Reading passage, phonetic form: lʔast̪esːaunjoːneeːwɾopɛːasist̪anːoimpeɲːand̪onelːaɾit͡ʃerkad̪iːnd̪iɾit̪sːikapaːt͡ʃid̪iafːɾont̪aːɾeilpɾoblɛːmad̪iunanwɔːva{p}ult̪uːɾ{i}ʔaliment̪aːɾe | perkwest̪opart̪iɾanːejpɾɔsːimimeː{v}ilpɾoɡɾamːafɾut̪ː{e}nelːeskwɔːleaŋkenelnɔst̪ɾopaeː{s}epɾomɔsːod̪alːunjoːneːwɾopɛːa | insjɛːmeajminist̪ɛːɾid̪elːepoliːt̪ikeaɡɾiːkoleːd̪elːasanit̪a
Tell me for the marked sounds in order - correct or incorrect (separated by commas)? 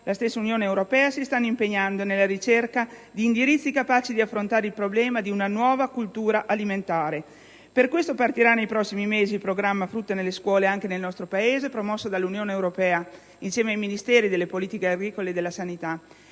incorrect, incorrect, incorrect, correct, incorrect